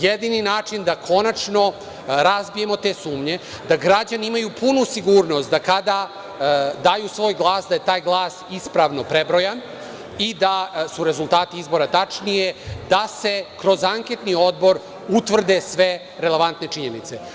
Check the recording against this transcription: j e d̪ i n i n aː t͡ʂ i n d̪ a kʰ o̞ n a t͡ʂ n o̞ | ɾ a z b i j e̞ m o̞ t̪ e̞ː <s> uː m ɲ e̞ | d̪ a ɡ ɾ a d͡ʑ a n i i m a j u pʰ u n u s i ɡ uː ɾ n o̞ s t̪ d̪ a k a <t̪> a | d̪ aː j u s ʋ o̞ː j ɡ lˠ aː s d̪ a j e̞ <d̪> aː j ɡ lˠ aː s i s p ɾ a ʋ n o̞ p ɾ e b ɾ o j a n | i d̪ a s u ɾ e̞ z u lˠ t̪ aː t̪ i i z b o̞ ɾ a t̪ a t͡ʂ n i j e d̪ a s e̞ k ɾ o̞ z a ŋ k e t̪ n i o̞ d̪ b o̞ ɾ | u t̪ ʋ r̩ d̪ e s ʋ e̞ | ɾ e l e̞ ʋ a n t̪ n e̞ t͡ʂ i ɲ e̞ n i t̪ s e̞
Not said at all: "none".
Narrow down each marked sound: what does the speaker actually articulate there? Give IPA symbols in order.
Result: s, d̪, t̪

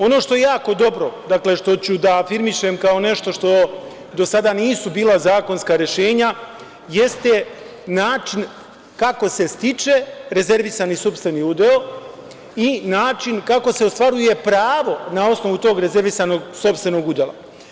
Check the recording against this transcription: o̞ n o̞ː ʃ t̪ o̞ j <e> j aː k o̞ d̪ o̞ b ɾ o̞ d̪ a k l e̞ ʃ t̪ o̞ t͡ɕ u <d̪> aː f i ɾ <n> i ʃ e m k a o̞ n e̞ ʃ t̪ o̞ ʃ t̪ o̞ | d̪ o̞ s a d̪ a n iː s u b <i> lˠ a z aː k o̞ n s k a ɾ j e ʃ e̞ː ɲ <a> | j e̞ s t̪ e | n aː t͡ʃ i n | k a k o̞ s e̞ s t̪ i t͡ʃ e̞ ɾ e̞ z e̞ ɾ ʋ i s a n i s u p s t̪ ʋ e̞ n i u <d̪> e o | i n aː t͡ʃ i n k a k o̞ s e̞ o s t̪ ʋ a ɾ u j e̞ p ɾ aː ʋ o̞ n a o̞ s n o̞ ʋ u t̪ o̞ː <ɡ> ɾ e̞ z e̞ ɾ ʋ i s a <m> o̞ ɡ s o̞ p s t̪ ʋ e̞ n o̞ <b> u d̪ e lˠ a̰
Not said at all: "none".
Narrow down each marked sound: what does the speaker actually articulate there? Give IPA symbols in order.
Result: e, d̪, m, iː, a, d̪, ɡ, n, ɡ

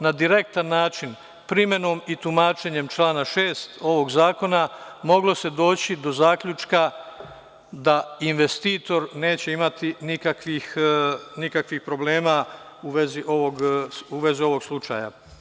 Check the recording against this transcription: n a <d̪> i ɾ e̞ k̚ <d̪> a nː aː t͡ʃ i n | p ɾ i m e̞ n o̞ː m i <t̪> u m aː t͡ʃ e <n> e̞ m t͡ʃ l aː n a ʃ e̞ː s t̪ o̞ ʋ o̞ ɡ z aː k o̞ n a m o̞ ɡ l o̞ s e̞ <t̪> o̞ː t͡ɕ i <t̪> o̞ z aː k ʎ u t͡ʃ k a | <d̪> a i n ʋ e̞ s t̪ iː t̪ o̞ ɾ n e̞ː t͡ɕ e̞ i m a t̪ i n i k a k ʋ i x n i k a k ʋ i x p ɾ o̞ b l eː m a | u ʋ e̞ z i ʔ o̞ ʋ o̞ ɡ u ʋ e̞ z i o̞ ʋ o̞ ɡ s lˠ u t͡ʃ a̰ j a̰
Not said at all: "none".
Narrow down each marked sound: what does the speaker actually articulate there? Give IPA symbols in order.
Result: d̪, t̪, t̪, ɲ, d̪, d̪, d̪

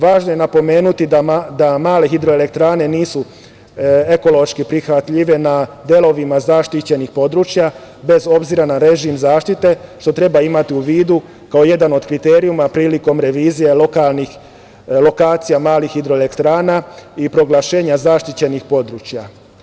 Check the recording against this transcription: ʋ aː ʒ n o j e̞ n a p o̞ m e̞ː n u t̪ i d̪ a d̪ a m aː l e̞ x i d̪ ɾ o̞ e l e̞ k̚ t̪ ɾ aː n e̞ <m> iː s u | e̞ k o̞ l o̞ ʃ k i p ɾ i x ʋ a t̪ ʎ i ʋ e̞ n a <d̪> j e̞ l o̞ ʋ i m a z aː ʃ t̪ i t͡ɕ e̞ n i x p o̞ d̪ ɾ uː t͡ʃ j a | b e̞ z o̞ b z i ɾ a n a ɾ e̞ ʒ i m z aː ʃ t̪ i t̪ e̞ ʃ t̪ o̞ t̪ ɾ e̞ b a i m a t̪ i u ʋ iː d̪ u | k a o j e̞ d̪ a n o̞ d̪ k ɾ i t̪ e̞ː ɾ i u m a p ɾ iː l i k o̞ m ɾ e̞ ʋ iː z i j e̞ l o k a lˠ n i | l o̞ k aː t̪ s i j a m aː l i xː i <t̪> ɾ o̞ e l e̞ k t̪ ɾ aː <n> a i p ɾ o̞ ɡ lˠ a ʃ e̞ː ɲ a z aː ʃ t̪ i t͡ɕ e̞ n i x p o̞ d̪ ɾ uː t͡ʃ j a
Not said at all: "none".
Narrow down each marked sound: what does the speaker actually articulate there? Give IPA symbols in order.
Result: n, d̪, d̪, n

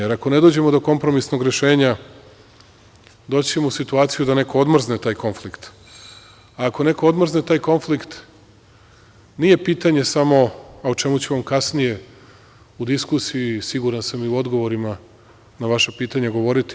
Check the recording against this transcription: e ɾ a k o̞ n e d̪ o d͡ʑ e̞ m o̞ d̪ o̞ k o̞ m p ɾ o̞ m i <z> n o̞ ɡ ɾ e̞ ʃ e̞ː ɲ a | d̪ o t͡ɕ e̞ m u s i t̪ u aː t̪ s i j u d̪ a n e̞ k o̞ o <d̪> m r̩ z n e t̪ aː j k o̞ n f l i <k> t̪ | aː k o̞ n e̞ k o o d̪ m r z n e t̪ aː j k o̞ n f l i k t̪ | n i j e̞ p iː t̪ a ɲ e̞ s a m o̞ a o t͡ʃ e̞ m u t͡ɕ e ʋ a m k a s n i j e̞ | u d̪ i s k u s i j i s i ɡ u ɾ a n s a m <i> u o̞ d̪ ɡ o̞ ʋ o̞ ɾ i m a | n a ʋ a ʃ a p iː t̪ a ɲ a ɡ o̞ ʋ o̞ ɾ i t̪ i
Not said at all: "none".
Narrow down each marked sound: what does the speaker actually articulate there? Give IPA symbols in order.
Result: s, d̪, k, i

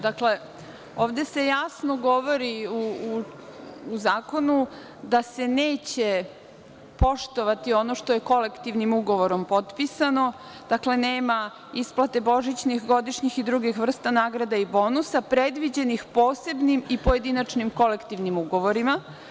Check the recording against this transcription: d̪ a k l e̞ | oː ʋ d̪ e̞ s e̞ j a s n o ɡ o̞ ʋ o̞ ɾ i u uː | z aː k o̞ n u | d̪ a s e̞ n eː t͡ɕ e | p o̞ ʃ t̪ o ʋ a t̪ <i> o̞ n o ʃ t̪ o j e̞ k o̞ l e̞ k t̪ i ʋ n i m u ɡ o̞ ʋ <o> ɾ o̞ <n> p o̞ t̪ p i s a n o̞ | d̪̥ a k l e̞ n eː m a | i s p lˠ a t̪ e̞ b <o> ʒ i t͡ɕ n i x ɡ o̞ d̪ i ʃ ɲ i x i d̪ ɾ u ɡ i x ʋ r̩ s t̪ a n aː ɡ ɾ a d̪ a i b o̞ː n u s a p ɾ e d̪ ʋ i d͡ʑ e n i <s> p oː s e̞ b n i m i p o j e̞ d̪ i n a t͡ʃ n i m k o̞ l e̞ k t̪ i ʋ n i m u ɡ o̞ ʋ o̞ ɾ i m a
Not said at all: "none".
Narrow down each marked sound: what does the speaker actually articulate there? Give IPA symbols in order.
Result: i, o, m, o, x

